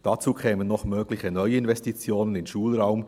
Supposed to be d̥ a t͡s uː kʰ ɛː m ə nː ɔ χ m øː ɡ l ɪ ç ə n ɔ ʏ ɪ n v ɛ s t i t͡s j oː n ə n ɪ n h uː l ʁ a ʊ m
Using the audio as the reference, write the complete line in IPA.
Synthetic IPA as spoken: d̥ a t͡s uː kʰ ɛː m ə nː ɔ χ m øː ɡ l ɪ ç ə n ɔ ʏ ɪ n v ɛ s t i t͡s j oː n ə n ɪ n ʃ uː l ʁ a ʊ m